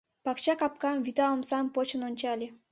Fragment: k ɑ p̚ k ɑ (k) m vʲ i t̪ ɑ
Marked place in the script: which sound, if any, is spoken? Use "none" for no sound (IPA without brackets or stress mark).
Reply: none